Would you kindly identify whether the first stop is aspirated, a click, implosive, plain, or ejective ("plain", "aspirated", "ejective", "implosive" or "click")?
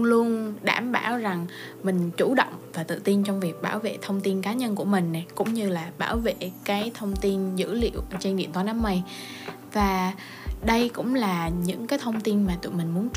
implosive